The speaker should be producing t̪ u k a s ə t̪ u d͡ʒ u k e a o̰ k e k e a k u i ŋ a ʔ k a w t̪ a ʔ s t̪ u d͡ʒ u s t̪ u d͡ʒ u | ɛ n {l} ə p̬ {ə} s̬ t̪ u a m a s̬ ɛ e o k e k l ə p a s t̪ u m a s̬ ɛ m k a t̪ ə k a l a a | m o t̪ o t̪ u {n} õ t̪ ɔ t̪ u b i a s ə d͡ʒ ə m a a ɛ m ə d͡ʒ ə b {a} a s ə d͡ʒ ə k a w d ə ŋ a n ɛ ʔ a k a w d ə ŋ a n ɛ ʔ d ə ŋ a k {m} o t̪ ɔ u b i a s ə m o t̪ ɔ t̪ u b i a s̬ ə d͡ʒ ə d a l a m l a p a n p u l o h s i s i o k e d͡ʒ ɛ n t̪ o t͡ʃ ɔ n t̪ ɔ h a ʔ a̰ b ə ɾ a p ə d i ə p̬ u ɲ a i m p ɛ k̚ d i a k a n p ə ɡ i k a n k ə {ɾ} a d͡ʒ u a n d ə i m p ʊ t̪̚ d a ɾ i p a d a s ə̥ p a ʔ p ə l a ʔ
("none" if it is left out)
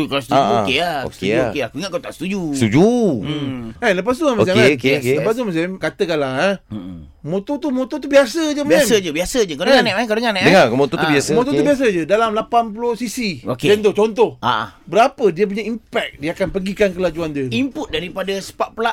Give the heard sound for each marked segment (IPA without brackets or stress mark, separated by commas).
l, a, m, i, m, l